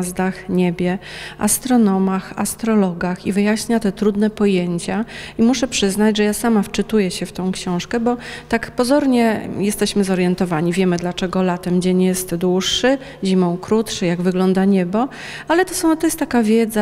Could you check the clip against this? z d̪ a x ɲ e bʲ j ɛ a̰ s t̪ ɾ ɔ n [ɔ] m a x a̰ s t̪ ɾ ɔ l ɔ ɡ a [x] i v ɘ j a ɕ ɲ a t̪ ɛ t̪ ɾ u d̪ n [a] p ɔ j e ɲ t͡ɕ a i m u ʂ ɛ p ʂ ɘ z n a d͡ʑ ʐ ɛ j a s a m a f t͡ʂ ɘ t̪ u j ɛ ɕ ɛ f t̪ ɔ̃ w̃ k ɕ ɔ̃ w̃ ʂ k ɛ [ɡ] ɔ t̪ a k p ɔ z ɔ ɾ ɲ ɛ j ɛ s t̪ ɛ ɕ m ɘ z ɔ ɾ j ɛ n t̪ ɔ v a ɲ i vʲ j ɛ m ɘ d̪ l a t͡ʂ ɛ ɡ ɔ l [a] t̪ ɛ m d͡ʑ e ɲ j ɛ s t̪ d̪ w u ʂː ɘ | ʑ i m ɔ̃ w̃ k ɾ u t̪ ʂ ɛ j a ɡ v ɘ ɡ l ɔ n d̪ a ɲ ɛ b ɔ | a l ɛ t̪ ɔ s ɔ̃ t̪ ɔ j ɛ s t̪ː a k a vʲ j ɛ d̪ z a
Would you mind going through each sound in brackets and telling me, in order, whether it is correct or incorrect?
correct, correct, incorrect: ɛ, incorrect: b, correct

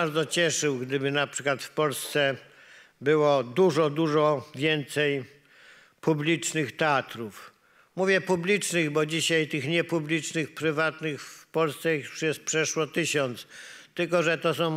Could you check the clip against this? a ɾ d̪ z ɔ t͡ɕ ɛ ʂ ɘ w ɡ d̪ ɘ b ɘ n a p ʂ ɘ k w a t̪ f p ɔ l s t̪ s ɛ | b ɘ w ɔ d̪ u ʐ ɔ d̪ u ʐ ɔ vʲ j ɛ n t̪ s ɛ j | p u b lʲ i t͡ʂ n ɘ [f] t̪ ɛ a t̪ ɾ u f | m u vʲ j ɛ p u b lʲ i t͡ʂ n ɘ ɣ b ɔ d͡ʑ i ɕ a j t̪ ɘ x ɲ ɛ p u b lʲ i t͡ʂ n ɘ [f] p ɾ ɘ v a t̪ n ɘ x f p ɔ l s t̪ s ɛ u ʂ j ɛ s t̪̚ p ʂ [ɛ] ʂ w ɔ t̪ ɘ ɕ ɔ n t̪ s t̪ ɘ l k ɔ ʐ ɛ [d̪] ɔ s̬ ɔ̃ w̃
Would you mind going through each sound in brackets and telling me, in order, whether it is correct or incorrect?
incorrect: x, incorrect: x, correct, incorrect: t̪

